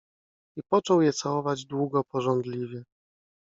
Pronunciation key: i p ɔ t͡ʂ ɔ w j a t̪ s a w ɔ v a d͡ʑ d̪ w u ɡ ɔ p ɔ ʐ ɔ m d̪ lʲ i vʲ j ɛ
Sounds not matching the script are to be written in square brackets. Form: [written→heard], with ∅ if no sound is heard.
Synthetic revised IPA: i p ɔ t͡ʂ ɔ w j [a→ɛ] t̪ s a w ɔ v a d͡ʑ d̪ w u ɡ ɔ p ɔ ʐ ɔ [m→n] d̪ lʲ i vʲ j ɛ